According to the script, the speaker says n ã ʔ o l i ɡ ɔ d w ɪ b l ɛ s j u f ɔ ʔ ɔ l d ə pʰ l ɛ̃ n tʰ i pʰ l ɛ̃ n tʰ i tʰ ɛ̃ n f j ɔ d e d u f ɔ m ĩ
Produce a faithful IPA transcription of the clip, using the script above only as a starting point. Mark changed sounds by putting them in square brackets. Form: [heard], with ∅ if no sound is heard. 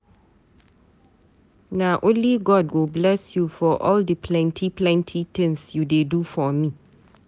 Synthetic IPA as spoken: n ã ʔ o l i ɡ ɔ d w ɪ b l ɛ s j u f ɔ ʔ ɔ l d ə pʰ l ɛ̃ n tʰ i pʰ l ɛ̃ n tʰ i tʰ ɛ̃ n [s] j [u] d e d u f ɔ m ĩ